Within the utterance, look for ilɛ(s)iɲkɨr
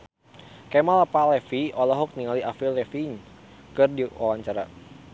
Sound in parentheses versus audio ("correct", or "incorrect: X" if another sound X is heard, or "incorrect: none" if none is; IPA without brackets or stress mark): incorrect: f